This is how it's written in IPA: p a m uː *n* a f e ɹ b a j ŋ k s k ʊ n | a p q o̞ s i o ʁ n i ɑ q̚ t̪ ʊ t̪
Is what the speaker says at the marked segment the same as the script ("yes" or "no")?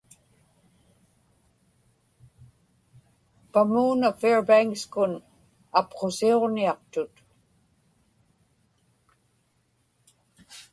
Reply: yes